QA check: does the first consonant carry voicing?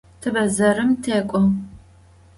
no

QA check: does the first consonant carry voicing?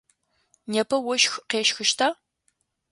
yes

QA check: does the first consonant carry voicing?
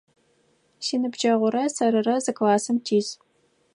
no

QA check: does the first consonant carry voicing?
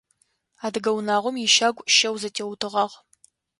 yes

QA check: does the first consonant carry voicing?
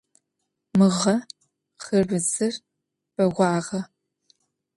yes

